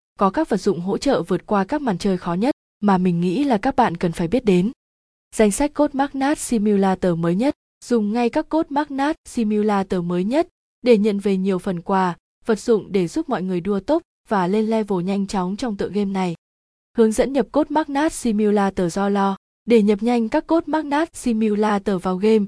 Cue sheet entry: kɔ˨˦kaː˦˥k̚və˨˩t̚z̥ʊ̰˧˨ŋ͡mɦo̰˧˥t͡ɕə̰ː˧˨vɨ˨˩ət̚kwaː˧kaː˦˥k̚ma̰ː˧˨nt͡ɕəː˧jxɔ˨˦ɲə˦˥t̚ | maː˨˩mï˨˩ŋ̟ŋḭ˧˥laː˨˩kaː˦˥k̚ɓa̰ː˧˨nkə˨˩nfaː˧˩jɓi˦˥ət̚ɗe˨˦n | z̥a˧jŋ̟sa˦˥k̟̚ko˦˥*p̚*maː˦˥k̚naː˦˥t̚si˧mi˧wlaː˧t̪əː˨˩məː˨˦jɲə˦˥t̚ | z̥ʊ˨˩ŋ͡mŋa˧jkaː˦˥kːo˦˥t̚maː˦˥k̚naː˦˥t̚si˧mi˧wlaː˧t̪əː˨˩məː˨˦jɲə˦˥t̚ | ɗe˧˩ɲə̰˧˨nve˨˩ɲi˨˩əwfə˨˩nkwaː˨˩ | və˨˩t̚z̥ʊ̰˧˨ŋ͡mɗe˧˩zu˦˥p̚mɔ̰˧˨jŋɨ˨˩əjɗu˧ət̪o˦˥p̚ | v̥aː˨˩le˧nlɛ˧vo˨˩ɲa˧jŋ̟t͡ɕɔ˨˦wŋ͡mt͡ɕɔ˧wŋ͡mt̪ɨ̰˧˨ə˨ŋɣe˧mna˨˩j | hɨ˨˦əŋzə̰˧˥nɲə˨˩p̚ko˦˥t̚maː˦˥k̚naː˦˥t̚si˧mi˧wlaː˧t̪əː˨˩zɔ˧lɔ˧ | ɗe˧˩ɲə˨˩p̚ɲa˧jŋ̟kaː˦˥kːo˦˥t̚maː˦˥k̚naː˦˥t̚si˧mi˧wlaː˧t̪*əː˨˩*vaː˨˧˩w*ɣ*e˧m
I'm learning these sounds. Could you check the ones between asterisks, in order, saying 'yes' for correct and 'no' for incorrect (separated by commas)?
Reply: no, yes, yes